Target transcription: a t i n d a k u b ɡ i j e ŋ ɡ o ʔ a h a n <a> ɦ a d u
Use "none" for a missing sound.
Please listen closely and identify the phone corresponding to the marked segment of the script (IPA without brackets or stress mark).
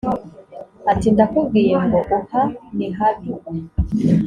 i